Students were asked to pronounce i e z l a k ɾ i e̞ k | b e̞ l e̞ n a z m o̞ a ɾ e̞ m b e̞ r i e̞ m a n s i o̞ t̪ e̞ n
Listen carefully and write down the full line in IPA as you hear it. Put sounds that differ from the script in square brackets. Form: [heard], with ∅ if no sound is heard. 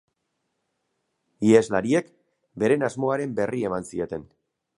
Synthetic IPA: i e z l a [∅] ɾ i e̞ k | b e̞ [ɾ] e̞ n a z m o̞ a ɾ e̞ m b e̞ r i e̞ m a n s i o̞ t̪ e̞ n